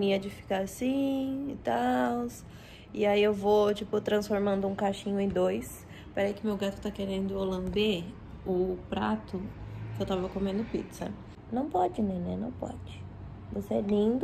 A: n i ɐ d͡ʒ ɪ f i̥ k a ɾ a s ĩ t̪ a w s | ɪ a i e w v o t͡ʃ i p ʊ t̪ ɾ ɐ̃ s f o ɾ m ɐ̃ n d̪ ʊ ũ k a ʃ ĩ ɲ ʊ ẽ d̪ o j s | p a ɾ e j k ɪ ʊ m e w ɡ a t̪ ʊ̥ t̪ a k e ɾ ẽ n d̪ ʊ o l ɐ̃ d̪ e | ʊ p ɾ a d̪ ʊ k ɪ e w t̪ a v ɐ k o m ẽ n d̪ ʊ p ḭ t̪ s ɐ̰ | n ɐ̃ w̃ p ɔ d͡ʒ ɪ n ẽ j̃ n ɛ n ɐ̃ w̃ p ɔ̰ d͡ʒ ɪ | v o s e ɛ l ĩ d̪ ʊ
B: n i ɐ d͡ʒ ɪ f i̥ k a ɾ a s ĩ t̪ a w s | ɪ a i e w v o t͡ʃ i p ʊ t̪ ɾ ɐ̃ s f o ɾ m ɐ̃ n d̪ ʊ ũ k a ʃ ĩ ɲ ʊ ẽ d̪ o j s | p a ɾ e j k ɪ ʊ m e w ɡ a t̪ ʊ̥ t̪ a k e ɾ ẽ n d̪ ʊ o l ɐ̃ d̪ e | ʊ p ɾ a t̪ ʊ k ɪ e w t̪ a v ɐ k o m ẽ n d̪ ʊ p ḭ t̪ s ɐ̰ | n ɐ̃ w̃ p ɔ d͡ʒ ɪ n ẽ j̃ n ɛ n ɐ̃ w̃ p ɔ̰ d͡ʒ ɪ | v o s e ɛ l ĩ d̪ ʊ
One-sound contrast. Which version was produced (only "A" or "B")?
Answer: B